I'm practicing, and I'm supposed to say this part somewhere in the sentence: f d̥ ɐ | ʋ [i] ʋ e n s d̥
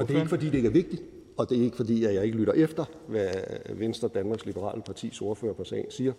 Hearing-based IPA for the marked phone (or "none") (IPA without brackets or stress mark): æ